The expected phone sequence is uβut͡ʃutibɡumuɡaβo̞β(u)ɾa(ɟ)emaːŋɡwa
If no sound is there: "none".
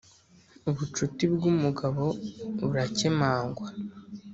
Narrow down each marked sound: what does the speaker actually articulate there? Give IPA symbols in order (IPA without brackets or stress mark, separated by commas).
u, c